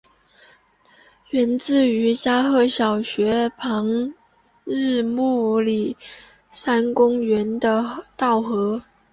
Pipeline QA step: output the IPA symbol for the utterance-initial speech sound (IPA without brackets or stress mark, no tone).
ɥ